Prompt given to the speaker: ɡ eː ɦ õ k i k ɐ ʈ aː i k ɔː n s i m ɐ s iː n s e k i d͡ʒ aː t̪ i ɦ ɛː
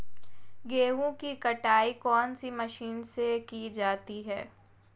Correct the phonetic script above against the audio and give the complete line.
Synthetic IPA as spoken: ɡ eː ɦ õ k i k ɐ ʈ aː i k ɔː n s i m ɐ ʃ iː n s e k i d͡ʒ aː t̪ i ɦ ɛː